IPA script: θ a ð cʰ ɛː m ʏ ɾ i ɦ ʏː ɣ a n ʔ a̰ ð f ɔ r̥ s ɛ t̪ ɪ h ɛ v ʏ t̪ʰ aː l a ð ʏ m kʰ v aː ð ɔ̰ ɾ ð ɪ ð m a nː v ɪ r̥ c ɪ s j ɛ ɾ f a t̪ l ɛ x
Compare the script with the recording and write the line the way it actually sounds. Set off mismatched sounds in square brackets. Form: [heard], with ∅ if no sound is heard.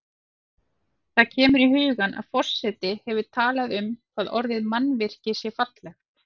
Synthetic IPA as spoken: θ a ð cʰ ɛː m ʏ ɾ i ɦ ʏː ɣ a n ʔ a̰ ð f ɔ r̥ s ɛ t̪ ɪ h ɛ v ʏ t̪ʰ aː l a ð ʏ m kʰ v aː ð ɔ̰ ɾ ð ɪ ð m a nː v ɪ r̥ c ɪ s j ɛ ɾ f a t̪ l ɛ x